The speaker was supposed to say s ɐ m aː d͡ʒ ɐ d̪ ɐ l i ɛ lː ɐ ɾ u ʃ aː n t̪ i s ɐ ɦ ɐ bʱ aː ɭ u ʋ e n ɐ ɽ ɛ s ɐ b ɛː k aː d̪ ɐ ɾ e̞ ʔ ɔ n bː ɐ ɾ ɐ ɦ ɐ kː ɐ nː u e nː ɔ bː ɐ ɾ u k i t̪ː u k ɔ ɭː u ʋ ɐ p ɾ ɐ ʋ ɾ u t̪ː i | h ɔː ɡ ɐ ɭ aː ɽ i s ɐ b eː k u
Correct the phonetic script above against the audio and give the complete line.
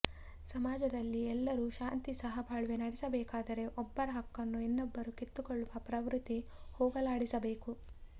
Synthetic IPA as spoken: s ɐ m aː d͡ʒ ɐ d̪ ɐ lː i ɛ lː ɐ ɾ u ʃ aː n t̪ i s ɐ ɦ ɐ bʱ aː ɭ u ʋ e n ɐ ɽ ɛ s ɐ b ɛː k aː d̪ ɐ ɾ e̞ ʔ ɔ bː ɐ ɾ ɐ ɦ ɐ kː ɐ nː u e nː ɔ bː ɐ ɾ u k i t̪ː u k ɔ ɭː u ʋ ɐ p ɾ ɐ ʋ ɾ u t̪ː i | h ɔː ɡ ɐ l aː ɽ i s ɐ b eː k u